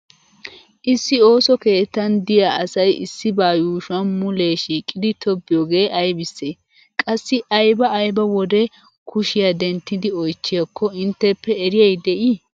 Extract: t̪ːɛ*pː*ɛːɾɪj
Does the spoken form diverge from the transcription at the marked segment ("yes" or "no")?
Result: no